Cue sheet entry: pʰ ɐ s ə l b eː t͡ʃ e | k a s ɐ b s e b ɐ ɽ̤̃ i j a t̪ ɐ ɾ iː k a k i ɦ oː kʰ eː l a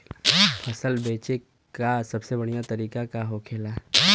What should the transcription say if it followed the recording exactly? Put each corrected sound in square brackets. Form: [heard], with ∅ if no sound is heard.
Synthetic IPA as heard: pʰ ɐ s ə l b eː t͡ʃ e | k a s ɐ b s e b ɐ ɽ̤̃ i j a t̪ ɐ ɾ iː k a k [a] ɦ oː kʰ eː l a

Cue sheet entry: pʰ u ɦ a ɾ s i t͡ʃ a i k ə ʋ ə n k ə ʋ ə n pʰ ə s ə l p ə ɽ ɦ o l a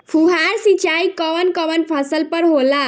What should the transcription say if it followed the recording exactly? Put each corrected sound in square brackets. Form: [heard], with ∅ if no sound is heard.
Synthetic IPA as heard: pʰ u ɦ a ɾ s i t͡ʃ a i k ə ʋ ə n k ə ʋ ə n pʰ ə s ə l p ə [ɾ] ɦ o l a

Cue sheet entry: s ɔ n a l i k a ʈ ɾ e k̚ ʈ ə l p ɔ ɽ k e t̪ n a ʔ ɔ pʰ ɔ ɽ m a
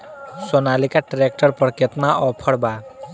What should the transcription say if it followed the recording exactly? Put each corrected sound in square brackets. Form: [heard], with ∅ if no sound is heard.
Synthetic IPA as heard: s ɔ n a l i k a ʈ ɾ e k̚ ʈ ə [ɾ] p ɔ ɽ k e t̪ n a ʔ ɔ pʰ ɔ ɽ [b] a

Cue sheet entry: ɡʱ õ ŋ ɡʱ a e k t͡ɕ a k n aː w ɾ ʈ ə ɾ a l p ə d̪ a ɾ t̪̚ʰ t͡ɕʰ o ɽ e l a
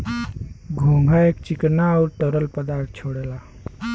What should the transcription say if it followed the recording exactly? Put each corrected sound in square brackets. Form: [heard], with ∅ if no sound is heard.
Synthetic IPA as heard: ɡʱ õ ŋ ɡʱ a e k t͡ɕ [i] k n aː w ɾ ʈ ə ɾ [ə] l p ə d̪ a ɾ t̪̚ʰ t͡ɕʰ o ɽ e l a

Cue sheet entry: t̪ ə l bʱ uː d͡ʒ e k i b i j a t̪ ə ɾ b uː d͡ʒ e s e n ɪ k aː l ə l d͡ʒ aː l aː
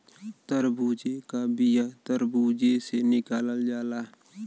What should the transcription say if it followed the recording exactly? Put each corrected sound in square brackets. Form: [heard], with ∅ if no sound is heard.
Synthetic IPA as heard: t̪ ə [ɾ] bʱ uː d͡ʒ e k [a] b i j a t̪ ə ɾ b uː d͡ʒ e s e n ɪ k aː l ə l d͡ʒ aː l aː

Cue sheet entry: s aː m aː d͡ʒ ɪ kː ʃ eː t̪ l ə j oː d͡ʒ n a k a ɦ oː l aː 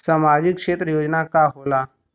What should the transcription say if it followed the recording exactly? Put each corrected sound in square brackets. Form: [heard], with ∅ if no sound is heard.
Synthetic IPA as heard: s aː m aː d͡ʒ ɪ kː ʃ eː t̪ [ɾ] ə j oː d͡ʒ n a k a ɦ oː l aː

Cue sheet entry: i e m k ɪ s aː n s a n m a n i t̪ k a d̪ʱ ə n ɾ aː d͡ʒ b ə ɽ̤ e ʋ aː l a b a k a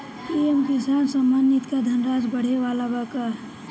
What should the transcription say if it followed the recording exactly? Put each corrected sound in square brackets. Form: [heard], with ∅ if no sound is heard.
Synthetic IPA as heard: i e m k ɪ s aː n s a [∅] m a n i t̪ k a d̪ʱ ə n ɾ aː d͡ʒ b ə ɽ̤ e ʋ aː l a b a k a

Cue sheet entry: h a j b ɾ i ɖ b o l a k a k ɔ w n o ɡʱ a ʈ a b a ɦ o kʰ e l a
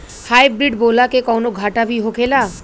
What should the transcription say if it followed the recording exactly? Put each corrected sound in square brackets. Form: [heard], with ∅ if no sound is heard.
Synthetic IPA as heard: h a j b ɾ i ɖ b o l a k [e] k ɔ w n o ɡʱ a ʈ a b [i] ɦ o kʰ e l a

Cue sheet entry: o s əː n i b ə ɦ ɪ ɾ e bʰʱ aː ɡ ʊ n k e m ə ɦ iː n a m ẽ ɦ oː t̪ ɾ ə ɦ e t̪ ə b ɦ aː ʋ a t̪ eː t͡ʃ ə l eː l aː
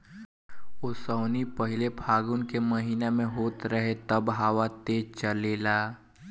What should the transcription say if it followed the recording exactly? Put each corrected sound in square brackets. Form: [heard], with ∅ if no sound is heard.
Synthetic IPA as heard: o s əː n i [p] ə ɦ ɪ [l] e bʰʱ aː ɡ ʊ n k e m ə ɦ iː n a m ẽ ɦ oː t̪ ɾ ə ɦ e t̪ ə b ɦ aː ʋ a t̪ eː t͡ʃ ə l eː l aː

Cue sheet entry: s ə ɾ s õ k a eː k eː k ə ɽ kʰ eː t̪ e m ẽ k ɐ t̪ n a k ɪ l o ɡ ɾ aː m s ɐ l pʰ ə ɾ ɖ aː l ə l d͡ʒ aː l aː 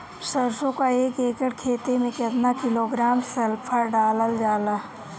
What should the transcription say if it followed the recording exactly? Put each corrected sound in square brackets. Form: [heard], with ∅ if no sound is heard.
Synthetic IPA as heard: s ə ɾ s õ k a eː k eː k ə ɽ kʰ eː t̪ e m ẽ k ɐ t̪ n a k ɪ l o ɡ ɾ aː m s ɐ l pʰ ə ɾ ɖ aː l ə l d͡ʒ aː l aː

